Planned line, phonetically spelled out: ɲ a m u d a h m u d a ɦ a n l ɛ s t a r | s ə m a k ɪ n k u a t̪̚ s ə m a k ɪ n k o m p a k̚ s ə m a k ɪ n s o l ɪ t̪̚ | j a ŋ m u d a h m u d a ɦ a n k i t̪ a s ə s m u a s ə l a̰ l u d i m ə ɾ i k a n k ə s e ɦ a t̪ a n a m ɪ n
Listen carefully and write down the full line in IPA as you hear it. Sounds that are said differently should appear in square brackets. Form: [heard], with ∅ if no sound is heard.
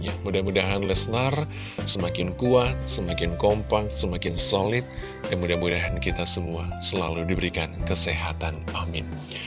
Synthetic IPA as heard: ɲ a m u d a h m u d a ɦ a n l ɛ s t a r | s ə m a k ɪ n k u a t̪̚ s ə m a k ɪ n k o m p a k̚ s ə m a k ɪ n s o l ɪ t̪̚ | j a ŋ m u d a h m u d a ɦ a n k i t̪ a s ə [∅] m u a s ə l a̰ l u d i [b] ə ɾ i k a n k ə s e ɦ a t̪ a n a m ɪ n